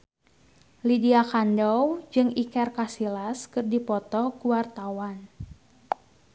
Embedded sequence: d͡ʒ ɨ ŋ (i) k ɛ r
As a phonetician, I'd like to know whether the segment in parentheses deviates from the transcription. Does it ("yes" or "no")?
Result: no